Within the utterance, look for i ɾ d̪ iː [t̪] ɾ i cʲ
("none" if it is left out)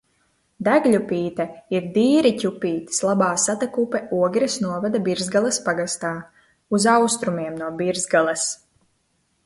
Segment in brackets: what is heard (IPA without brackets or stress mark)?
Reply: none